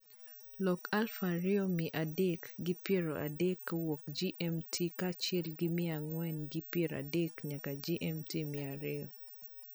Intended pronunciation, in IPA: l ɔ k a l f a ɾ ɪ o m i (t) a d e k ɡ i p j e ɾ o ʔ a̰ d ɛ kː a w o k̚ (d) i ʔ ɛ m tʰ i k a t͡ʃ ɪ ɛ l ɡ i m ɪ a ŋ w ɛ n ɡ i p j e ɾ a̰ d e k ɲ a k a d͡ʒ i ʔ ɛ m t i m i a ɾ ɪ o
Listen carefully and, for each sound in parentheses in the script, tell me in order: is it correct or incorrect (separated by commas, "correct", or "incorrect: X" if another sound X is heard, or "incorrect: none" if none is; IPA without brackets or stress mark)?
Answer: incorrect: ʔ, incorrect: d͡ʒ